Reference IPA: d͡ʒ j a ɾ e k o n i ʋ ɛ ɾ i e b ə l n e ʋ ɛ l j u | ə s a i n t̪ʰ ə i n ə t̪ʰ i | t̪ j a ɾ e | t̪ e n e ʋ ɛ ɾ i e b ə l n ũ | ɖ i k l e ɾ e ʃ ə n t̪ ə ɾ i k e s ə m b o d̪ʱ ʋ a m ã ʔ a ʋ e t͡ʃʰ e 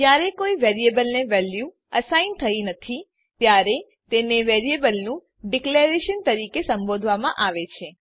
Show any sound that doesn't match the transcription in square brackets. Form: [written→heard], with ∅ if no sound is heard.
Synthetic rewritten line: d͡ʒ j a ɾ e k o [n→∅] i ʋ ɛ ɾ i e b ə l n e ʋ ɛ l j u | ə s a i n t̪ʰ ə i n ə t̪ʰ i | t̪ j a ɾ e | t̪ e n e ʋ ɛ ɾ i e b ə l n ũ | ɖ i k l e ɾ e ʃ ə n t̪ ə ɾ i k e s ə m b o d̪ʱ ʋ a m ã ʔ a ʋ e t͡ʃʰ e